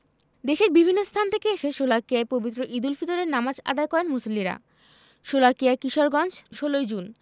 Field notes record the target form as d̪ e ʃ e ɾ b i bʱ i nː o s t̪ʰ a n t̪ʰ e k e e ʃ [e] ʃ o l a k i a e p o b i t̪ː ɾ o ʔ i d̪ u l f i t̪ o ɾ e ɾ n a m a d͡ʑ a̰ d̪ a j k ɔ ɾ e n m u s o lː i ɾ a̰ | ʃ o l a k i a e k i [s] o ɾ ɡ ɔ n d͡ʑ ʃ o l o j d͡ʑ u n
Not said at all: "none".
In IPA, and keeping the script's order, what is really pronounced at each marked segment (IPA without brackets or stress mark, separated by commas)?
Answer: e, ʃ